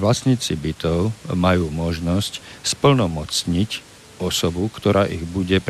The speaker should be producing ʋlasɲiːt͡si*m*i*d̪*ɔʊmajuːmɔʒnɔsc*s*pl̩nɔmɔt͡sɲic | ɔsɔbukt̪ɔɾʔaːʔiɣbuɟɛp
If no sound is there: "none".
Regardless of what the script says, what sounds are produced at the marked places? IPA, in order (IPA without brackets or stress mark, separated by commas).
b, t̪, s